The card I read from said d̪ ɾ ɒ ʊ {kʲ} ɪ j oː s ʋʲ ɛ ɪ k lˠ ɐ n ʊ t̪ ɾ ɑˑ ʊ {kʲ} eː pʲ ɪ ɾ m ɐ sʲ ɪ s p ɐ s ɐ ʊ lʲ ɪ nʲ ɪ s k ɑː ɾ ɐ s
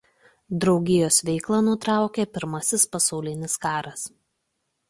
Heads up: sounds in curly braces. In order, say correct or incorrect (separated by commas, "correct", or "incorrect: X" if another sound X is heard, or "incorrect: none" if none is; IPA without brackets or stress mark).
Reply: incorrect: ɡʲ, correct